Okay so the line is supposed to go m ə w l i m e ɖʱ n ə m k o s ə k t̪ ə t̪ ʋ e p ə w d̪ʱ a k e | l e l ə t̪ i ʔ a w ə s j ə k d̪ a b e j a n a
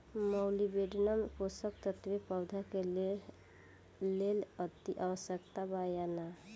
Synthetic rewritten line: m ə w l i b e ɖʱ n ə m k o s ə k t̪ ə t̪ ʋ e p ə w d̪ʱ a k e | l e l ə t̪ i ʔ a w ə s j ə k t̪ a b a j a n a